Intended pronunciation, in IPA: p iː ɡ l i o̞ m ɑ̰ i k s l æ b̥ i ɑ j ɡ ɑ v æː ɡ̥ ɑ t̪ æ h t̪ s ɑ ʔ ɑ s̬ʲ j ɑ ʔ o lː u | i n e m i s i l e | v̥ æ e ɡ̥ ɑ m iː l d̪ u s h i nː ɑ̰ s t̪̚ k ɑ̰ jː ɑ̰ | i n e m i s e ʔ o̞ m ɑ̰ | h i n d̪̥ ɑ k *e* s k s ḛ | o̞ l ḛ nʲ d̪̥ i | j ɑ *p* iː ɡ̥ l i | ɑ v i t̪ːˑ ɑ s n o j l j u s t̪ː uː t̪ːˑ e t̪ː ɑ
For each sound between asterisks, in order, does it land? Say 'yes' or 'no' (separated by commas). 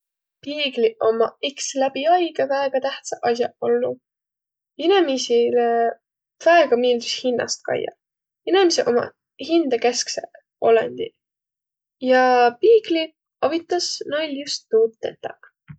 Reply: yes, yes